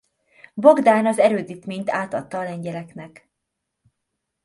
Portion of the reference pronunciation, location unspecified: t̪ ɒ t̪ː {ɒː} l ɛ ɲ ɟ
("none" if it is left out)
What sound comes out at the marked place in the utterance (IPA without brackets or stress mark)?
ɒː